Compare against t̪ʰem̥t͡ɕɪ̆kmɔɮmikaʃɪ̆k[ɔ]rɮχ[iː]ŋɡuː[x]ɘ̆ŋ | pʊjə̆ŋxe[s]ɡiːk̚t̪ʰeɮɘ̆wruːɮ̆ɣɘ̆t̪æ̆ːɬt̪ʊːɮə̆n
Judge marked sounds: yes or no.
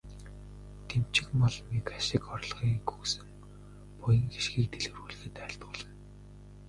yes, yes, no, no

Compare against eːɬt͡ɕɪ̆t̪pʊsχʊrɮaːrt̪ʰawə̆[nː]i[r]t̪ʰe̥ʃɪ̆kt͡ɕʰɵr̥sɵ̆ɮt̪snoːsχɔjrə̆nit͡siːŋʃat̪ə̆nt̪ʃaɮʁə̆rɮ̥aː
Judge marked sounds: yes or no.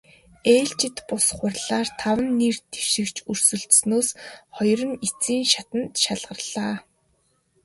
yes, yes

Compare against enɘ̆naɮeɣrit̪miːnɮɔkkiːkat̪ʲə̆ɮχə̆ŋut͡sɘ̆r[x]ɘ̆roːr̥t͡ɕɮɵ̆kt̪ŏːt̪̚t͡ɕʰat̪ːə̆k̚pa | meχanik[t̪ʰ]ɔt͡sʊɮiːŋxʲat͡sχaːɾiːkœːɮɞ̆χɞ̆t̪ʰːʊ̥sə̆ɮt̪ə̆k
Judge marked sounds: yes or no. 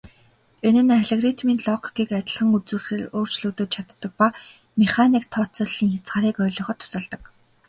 yes, yes

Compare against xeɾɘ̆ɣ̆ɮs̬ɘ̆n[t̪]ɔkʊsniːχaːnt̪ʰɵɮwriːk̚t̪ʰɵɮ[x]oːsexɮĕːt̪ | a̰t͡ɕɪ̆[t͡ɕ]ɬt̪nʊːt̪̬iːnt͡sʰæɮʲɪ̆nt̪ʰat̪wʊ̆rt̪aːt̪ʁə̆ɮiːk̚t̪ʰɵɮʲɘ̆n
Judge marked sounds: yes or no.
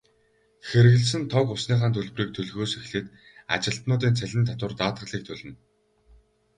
no, no, no

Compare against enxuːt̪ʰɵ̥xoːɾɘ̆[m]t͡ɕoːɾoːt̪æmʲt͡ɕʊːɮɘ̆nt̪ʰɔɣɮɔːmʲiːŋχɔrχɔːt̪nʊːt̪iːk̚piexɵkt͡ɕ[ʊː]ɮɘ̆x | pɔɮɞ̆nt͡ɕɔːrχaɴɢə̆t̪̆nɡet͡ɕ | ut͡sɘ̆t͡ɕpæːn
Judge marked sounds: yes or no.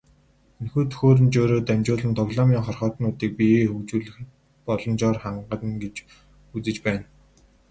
no, no

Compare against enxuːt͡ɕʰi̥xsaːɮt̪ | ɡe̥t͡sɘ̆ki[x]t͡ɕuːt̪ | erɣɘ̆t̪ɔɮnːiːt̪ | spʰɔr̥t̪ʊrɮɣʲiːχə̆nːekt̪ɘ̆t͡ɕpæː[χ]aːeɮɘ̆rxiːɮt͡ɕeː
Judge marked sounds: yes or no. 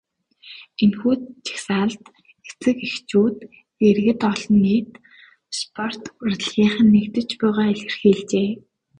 yes, no

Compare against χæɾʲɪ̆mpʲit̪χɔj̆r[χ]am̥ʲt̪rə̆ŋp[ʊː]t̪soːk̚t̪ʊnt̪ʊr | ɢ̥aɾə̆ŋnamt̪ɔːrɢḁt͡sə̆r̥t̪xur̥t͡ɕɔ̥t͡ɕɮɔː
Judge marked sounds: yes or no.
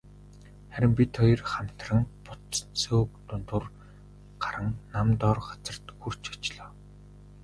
yes, no

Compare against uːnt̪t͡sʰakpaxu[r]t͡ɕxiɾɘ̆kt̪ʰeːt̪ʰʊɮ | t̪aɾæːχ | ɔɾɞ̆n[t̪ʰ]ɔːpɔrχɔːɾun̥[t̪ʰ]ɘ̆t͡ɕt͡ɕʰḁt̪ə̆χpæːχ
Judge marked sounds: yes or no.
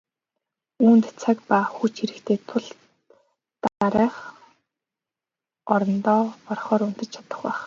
no, no, no

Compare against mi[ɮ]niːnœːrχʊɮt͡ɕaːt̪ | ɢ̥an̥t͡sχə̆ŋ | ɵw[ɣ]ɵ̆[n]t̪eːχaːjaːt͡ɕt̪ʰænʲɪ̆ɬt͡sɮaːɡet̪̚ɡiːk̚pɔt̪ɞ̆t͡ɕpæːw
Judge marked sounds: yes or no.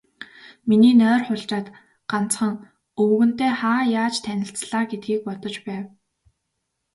no, yes, yes

